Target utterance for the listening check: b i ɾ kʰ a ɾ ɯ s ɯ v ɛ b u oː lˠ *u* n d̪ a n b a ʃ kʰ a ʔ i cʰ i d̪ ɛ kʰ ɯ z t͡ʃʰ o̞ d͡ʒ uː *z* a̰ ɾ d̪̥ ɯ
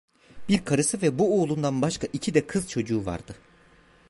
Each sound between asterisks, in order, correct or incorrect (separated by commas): correct, incorrect